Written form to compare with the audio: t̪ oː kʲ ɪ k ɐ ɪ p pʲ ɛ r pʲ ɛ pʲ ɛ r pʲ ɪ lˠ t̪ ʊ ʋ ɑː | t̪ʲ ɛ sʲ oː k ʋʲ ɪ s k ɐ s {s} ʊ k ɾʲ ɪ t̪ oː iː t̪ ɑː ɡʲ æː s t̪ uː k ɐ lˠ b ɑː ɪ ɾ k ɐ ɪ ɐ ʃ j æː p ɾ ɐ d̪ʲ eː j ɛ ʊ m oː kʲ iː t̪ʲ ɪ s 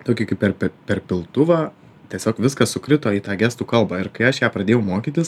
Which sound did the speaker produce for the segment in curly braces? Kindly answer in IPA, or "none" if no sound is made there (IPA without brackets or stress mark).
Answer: s